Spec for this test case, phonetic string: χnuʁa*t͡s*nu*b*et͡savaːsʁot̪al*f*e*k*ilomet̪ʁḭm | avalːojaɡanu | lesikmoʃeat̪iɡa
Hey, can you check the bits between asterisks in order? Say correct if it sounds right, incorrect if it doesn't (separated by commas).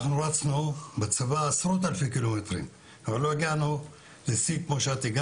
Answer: correct, correct, correct, correct